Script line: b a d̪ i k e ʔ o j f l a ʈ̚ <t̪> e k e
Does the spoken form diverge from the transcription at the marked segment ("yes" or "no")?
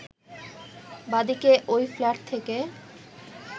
yes